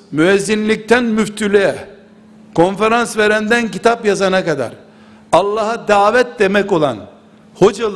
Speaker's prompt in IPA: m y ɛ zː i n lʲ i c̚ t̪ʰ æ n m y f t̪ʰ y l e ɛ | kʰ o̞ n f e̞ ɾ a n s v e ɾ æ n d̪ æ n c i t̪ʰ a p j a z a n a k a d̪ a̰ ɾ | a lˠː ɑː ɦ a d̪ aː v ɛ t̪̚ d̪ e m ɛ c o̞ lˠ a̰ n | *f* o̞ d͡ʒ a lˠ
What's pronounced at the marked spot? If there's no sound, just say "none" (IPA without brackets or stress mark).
h